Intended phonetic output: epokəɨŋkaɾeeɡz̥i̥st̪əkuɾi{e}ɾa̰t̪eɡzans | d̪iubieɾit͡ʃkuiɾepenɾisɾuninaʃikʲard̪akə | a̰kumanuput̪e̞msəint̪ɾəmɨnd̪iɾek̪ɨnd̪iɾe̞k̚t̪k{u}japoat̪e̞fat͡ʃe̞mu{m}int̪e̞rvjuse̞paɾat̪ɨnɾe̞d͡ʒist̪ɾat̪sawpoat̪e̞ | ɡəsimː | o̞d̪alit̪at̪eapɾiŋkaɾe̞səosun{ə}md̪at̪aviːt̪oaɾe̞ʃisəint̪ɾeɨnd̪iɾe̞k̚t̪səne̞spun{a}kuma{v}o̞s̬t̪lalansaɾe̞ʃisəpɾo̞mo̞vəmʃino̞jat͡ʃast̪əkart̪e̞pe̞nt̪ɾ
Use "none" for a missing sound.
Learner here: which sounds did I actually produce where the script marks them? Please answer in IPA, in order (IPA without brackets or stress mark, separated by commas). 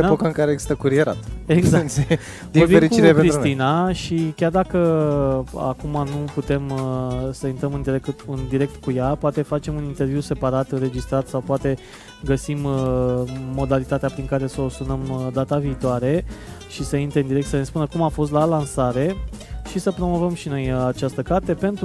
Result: e, u, n, ə, ə, f